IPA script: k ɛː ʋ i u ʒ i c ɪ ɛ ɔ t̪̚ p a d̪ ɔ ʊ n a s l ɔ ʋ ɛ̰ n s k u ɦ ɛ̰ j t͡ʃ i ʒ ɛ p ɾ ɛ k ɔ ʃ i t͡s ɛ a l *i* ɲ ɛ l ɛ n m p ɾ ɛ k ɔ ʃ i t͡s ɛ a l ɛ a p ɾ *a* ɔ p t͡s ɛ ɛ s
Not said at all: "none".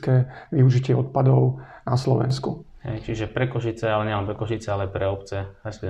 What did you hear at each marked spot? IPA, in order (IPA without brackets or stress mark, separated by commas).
ɛ, ɛ